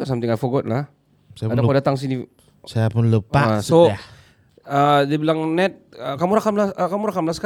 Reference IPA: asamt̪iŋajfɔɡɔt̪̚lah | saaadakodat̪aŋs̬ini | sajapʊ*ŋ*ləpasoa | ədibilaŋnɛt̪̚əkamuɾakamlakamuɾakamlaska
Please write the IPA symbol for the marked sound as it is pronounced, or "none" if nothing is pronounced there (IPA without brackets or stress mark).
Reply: n